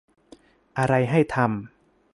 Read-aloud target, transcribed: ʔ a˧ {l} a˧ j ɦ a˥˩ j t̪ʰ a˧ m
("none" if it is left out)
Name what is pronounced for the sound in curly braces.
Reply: ɾ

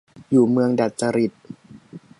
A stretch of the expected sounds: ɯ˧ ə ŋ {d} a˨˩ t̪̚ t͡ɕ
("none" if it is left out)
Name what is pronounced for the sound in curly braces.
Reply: d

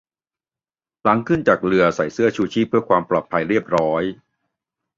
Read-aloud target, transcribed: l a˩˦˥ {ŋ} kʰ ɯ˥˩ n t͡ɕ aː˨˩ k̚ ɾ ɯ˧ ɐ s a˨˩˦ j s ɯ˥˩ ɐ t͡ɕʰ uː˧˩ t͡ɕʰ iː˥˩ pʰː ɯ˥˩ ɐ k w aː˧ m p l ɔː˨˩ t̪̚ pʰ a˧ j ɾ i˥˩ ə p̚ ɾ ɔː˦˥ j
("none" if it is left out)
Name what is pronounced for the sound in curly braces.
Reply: ŋ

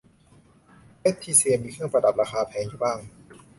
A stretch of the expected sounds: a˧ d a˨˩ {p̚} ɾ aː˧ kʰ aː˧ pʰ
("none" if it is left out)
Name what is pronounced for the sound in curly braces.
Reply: p̚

